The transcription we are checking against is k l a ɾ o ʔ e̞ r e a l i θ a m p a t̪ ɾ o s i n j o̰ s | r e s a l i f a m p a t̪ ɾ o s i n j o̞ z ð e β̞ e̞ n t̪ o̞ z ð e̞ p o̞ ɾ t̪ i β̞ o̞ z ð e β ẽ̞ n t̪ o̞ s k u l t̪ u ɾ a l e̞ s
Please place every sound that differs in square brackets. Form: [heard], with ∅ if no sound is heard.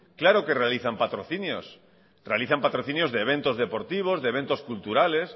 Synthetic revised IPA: k l a ɾ o [k] e̞ r e a l i θ a m p a t̪ ɾ o [θ] i n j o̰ s | r e [∅] a l i [θ] a m p a t̪ ɾ o [θ] i n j o̞ z ð e β̞ e̞ n t̪ o̞ z ð e̞ p o̞ ɾ t̪ i β̞ o̞ z ð e β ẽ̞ n t̪ o̞ s k u l t̪ u ɾ a l e̞ s